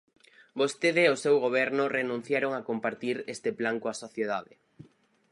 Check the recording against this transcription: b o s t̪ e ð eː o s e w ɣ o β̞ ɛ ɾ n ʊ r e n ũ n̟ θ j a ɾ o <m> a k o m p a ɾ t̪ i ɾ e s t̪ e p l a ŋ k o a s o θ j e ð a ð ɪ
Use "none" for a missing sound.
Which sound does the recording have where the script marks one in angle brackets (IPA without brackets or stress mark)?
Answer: ŋ